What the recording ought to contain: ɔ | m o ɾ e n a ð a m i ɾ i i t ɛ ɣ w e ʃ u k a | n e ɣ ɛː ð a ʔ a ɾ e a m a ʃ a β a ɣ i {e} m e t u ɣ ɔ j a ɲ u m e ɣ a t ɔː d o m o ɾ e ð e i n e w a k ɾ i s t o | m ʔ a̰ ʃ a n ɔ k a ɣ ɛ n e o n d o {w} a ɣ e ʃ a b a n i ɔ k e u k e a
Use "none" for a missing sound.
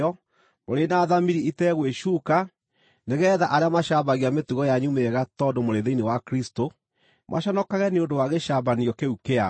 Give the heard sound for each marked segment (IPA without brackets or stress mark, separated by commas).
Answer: a, w